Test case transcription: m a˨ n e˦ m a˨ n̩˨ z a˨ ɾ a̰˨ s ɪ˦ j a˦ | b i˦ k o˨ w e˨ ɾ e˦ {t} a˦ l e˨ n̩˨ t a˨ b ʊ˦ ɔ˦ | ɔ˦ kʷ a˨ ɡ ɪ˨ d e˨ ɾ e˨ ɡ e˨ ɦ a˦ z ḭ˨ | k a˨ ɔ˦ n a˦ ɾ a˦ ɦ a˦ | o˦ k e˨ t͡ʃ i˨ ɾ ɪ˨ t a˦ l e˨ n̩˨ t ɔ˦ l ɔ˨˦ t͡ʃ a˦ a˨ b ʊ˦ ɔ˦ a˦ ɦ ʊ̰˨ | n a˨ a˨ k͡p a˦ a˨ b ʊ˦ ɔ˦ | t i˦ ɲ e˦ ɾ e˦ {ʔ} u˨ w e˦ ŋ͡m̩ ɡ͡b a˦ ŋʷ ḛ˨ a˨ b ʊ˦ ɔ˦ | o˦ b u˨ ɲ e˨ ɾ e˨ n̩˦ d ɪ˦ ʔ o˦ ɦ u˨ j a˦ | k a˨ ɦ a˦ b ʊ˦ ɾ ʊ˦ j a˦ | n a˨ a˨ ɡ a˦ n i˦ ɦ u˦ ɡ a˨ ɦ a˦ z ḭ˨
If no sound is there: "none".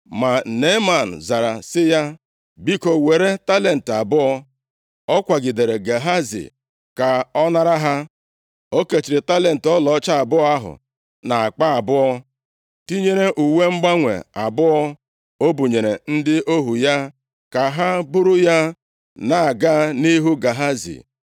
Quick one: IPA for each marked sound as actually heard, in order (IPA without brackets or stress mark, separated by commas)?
t, ʔ